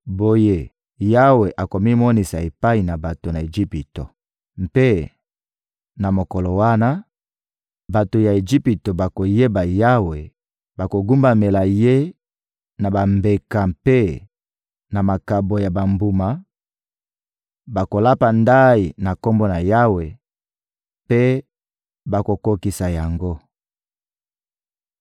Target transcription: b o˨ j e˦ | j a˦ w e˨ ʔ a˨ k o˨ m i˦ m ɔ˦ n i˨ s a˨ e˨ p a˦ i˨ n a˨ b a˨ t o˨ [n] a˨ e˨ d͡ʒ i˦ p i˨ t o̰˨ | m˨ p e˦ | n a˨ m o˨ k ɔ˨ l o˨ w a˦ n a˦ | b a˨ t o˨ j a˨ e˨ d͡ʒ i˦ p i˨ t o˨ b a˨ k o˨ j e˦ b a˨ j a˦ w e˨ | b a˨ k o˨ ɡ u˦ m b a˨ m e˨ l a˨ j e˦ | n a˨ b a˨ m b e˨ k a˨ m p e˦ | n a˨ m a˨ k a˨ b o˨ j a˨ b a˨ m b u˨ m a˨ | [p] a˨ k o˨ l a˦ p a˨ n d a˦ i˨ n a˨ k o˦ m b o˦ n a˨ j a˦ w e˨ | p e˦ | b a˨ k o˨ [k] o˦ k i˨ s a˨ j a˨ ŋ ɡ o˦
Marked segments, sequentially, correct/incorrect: correct, incorrect: b, correct

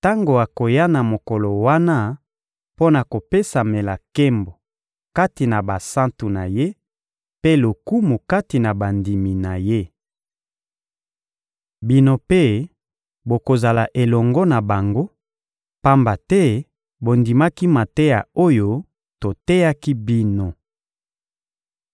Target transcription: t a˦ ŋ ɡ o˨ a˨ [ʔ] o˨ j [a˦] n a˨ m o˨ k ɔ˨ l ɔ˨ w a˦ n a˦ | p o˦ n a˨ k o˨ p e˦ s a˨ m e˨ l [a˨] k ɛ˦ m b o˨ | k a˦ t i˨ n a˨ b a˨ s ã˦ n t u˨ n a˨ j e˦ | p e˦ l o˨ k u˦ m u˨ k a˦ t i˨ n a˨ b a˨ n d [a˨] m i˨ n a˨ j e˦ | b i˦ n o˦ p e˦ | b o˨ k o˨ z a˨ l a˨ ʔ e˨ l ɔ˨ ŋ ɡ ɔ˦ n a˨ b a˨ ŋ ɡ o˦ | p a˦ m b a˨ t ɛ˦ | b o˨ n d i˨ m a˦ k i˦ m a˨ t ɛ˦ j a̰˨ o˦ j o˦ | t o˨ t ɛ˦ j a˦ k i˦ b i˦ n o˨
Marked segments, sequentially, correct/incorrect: incorrect: k, correct, correct, incorrect: i˨

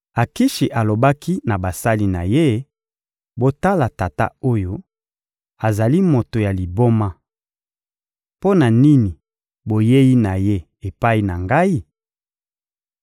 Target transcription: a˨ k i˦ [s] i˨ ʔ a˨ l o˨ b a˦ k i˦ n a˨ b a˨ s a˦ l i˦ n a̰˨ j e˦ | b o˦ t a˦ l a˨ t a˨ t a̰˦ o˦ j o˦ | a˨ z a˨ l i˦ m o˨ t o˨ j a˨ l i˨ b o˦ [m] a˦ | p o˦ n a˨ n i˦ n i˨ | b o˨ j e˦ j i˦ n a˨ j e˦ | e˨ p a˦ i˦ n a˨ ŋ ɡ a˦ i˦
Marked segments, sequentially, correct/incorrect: incorrect: ʃ, correct

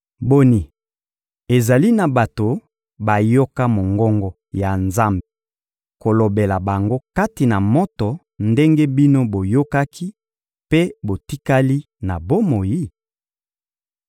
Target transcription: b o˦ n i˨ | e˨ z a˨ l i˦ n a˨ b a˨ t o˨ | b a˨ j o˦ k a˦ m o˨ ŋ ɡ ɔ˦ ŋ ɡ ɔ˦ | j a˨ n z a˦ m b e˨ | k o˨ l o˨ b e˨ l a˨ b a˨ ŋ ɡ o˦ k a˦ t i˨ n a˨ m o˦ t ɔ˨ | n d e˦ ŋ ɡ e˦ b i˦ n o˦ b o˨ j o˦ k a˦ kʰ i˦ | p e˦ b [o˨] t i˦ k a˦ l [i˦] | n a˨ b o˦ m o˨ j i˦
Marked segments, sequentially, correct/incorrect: correct, correct

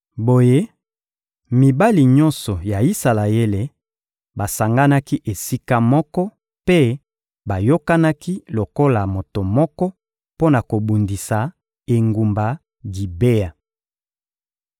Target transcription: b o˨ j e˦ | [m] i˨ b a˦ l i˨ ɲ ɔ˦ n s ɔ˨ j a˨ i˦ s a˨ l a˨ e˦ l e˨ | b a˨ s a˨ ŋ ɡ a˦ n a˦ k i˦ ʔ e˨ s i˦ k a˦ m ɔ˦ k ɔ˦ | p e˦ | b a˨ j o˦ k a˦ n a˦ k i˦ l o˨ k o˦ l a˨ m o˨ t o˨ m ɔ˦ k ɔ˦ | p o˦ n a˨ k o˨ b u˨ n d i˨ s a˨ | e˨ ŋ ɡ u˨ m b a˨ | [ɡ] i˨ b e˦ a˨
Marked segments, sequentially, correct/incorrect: correct, correct

